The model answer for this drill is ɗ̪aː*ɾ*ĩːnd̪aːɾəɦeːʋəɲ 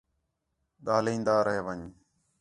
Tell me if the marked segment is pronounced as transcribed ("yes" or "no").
no